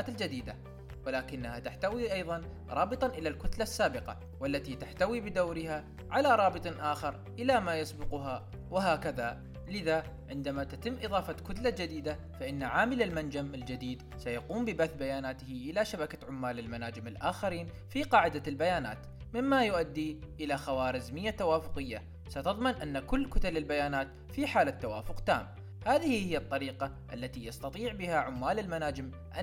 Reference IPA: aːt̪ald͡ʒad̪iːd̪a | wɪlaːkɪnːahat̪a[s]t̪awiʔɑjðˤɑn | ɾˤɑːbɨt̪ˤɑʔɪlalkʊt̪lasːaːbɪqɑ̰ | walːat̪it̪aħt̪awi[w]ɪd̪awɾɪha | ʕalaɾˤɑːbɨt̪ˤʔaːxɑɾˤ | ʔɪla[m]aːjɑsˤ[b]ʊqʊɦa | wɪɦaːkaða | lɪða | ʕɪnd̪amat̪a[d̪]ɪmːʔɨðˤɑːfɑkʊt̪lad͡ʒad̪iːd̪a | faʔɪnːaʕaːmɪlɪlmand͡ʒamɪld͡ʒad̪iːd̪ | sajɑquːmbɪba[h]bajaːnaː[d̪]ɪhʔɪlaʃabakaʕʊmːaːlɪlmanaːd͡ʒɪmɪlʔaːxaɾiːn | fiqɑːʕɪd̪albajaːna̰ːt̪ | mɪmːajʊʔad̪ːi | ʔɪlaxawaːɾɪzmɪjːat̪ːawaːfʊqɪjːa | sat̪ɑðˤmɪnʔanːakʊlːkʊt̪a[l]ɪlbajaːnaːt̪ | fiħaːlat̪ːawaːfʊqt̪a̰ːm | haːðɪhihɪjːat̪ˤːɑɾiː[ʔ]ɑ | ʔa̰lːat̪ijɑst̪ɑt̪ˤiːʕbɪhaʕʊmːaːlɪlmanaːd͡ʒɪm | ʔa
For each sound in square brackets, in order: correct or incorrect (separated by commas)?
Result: incorrect, incorrect, correct, correct, incorrect, incorrect, incorrect, correct, incorrect